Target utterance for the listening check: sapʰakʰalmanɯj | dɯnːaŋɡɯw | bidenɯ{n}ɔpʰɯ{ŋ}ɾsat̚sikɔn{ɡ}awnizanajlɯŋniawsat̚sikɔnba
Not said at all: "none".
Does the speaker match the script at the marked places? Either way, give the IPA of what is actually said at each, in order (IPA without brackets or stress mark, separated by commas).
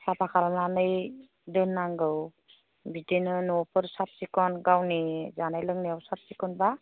n, none, ɡ